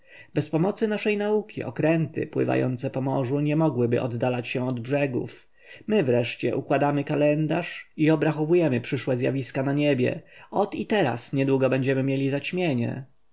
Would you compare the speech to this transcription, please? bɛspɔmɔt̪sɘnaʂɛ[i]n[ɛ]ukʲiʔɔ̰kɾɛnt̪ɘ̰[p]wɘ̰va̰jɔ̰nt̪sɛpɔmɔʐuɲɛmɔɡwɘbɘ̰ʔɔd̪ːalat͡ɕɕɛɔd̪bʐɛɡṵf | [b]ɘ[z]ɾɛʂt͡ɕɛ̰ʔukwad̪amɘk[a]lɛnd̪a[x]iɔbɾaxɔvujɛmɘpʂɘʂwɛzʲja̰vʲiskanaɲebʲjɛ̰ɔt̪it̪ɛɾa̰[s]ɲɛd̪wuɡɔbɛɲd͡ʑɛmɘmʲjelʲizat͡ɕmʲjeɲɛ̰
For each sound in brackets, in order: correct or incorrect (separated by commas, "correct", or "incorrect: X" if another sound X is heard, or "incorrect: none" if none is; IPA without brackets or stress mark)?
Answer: incorrect: j, incorrect: a, correct, incorrect: m, incorrect: v, correct, incorrect: ʂ, correct